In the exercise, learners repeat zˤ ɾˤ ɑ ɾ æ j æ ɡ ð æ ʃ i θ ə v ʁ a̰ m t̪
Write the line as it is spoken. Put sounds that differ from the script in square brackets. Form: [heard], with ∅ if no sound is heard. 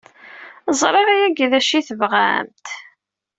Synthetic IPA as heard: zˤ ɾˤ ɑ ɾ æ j æ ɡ ð æ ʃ i θ ə v ʁ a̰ m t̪